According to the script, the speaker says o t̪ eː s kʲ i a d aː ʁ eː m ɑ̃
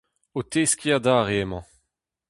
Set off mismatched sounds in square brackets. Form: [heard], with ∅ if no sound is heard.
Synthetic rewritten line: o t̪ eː s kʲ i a d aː ʁ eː m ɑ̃

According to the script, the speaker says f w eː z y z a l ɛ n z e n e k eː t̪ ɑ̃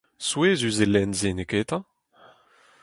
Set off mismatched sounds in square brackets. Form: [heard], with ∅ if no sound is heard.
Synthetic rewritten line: [s] w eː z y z [e] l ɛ n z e n e k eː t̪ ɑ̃

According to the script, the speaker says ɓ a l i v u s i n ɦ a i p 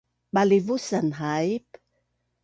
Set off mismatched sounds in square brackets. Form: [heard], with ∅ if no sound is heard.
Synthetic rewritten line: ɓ a l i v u s [a] n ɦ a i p

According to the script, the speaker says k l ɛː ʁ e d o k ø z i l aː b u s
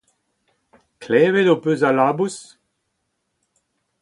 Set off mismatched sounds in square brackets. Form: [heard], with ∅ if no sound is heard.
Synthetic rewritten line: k l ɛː [v] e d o [p] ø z [a] l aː b u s

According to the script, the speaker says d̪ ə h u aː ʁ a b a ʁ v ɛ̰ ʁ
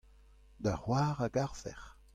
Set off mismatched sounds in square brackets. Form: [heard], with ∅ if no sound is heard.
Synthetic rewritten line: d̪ [a] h [w] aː ʁ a [ɡ] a ʁ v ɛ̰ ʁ

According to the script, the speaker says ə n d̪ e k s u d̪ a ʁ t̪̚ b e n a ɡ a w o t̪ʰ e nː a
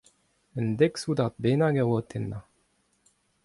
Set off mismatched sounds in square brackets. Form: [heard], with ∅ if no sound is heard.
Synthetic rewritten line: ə n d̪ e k s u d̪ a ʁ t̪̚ b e n a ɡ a w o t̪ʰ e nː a

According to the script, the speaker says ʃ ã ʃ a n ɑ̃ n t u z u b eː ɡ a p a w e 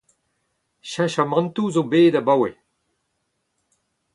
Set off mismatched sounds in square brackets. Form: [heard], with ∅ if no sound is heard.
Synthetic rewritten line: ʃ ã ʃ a [m] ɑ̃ n t u z [o] b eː [d] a [b] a w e

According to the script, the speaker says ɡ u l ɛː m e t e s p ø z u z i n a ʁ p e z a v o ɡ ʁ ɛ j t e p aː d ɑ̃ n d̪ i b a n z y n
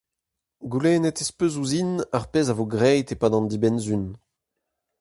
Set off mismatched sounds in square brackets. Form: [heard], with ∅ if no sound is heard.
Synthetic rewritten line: ɡ u l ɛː [n] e t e s p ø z u z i n a ʁ p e z a v o ɡ ʁ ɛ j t e p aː d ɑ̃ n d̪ i b [ɛ] n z y n

